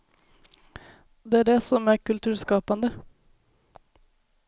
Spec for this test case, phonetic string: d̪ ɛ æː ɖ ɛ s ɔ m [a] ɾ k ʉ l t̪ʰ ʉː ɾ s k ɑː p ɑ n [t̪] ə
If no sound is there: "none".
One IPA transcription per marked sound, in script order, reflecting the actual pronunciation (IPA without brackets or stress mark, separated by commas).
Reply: æ, d̪